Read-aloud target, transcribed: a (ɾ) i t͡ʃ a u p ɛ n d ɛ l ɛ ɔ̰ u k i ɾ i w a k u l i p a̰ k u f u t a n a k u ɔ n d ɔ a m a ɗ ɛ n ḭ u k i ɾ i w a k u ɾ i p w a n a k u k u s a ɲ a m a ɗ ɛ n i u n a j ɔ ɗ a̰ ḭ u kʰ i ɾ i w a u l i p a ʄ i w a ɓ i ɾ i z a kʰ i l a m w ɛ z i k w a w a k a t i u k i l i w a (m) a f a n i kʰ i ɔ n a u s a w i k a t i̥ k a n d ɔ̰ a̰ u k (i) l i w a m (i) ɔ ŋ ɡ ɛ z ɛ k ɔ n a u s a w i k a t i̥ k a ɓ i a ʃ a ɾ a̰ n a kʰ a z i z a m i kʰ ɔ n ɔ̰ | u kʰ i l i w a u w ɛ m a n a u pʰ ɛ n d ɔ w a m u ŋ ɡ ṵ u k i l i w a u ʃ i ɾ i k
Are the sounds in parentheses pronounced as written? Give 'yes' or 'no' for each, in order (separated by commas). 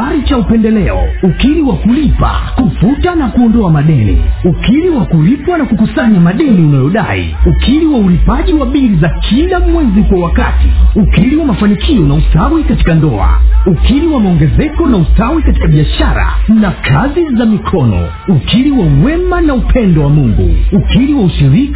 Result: yes, yes, yes, no